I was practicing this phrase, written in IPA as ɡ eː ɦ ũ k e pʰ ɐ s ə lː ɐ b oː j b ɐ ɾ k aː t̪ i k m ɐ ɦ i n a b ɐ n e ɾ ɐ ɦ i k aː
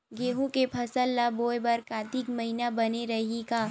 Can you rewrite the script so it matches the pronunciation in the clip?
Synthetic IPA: ɡ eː ɦ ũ k e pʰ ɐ s ə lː a b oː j b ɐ ɾ k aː t̪ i k m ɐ ɦ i n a b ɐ n e ɾ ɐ ɦ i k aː